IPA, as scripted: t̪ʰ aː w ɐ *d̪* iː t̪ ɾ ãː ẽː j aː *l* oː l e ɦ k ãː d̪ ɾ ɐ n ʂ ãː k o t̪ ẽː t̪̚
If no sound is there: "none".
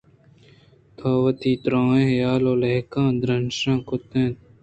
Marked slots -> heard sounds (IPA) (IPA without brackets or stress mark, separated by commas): t̪, l